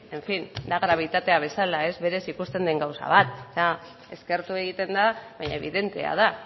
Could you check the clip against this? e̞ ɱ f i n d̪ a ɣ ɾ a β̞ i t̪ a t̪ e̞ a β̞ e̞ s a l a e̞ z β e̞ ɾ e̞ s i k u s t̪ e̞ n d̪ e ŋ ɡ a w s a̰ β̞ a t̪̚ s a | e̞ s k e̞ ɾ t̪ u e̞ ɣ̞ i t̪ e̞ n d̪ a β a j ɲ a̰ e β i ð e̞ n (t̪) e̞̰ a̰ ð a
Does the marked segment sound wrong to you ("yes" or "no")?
no